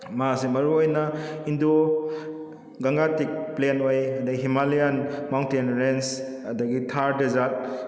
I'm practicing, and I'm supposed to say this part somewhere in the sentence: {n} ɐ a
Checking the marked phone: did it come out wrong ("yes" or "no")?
yes